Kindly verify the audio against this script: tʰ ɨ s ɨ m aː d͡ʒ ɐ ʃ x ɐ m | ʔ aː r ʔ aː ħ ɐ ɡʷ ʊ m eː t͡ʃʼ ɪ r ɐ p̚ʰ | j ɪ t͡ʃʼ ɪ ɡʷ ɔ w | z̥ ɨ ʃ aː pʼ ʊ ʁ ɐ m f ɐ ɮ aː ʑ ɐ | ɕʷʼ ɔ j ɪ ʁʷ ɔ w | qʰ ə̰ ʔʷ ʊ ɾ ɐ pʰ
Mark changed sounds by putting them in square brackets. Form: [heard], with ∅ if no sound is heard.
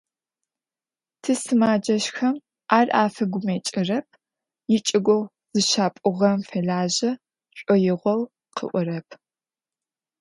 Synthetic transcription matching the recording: tʰ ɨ s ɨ m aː d͡ʒ ɐ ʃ x ɐ m | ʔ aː r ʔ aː [f] ɐ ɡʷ ʊ m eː t͡ʃʼ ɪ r ɐ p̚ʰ | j ɪ t͡ʃʼ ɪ ɡʷ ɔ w | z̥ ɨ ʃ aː pʼ ʊ ʁ ɐ m f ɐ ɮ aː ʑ ɐ | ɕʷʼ ɔ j ɪ ʁʷ ɔ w | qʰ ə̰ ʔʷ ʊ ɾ ɐ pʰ